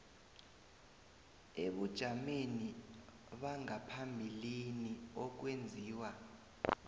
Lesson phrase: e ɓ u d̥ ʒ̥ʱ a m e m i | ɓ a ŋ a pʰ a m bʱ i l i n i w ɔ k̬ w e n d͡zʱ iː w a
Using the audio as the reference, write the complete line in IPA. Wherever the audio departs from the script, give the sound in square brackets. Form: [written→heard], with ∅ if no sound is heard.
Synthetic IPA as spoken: e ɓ u d̥ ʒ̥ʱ a m e [m→n] i | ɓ a ŋ a pʰ a m bʱ i l i n i [w→∅] ɔ k̬ w e n d͡zʱ iː w a

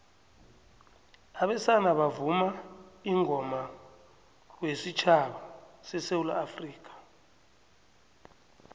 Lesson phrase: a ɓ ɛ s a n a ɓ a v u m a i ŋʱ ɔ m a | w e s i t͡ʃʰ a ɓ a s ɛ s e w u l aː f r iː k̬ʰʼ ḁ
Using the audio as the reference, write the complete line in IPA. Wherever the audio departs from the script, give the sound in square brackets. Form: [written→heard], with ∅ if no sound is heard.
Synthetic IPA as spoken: a ɓ ɛ s a n a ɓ a v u m a i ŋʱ ɔ m a | w e s i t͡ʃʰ a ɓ a s ɛ s e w u l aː f r iː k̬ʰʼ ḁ

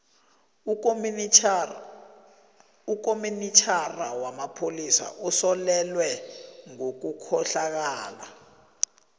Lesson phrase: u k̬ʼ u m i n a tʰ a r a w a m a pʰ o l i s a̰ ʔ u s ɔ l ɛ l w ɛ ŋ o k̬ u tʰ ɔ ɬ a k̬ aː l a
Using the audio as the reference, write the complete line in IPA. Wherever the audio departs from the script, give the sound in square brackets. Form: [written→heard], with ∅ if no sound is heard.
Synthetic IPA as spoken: u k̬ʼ [u→o] m i n [a→i] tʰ a r a w a m a pʰ o l i s a̰ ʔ u s ɔ l ɛ l w ɛ ŋ o k̬ u [tʰ→kʰ] ɔ ɬ a k̬ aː l a

